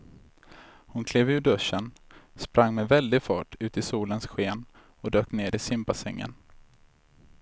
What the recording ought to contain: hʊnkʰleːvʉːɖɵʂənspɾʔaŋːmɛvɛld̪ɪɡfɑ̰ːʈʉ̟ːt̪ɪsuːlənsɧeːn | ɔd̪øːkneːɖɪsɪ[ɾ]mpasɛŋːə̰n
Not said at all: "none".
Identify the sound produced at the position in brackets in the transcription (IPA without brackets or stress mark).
none